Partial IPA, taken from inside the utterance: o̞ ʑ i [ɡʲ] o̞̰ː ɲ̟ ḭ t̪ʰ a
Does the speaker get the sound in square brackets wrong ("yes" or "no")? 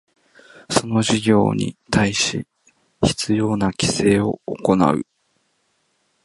no